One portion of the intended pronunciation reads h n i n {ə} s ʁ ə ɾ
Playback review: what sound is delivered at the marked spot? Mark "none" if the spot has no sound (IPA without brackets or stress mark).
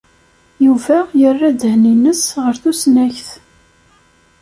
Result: ə